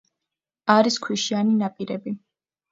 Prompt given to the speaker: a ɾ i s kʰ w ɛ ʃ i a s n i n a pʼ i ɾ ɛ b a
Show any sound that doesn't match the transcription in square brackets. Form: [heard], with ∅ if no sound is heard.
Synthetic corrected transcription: a ɾ i s kʰ w [i] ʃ i a [∅] n i n a pʼ i ɾ ɛ b [i]